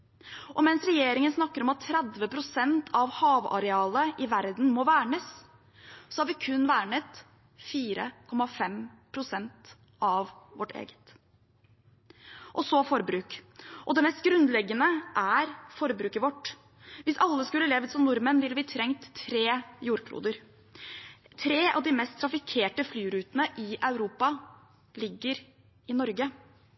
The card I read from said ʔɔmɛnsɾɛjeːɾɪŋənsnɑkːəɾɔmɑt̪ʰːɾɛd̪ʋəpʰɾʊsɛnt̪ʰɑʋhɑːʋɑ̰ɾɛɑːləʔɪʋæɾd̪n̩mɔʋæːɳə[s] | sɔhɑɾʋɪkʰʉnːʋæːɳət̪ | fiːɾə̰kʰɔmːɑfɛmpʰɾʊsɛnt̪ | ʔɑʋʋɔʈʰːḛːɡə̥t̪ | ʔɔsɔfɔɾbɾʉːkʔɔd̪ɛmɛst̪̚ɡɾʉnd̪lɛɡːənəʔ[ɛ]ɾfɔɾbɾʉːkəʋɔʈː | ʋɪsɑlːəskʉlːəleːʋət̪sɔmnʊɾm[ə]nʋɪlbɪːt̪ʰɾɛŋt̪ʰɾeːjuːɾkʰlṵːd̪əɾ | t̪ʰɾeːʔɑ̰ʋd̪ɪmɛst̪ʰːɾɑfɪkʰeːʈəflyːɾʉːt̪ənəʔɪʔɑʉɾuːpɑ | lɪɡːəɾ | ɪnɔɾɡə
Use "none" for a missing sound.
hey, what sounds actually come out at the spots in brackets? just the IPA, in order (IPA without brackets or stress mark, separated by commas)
s, æ, ə